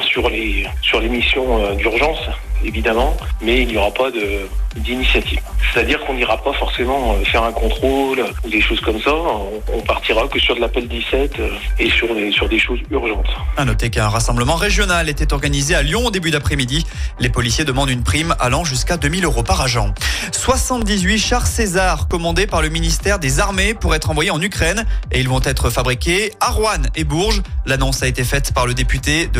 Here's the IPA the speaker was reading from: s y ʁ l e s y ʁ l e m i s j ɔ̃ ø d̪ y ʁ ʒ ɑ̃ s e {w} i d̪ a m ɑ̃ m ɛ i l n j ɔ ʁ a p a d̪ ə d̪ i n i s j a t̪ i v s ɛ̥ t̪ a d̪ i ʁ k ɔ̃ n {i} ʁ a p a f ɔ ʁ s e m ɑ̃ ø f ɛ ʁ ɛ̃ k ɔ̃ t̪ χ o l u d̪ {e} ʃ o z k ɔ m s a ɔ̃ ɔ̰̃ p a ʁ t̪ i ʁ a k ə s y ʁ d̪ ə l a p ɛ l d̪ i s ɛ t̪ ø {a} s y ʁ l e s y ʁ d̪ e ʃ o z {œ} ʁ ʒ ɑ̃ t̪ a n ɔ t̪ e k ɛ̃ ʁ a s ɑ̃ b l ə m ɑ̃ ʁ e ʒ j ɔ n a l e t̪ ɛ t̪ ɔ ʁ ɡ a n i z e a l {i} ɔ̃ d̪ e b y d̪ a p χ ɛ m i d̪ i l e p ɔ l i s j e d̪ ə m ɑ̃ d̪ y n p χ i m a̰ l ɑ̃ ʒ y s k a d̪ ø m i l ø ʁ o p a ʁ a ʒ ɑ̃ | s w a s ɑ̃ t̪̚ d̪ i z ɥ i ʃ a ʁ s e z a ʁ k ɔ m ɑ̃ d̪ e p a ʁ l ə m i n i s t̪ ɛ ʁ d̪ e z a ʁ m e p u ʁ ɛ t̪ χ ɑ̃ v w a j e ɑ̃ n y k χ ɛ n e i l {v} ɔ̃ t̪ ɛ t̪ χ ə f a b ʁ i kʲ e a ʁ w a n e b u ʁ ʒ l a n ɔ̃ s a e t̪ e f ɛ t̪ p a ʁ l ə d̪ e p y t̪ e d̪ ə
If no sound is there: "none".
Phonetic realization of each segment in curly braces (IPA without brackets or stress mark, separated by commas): v, i, e, e, y, j, v